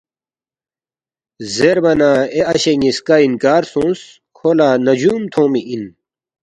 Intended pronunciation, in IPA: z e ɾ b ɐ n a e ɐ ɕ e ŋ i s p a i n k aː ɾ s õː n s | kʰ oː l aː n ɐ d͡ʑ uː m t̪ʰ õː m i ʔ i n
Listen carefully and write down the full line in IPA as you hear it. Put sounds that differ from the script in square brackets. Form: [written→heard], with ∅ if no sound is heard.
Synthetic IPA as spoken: z e ɾ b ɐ n a e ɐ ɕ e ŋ i s [p→k] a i n k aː ɾ s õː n s | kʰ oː l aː n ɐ d͡ʑ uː m t̪ʰ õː m i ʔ i n